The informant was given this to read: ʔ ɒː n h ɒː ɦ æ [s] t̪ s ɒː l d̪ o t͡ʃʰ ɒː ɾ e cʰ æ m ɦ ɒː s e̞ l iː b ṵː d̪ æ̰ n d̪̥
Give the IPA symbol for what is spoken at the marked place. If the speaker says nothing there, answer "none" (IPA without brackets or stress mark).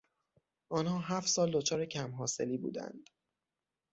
f